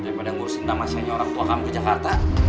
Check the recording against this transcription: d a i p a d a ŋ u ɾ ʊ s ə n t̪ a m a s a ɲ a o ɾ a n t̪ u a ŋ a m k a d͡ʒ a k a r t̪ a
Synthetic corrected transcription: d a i p a d a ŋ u ɾ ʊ s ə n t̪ a m a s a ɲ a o ɾ a ŋ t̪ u a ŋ a m k ə d͡ʒ a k a r t̪ a